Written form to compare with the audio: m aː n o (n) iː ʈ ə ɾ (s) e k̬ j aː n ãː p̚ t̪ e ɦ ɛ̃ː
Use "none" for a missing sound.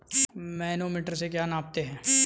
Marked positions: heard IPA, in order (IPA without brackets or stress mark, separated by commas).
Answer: m, s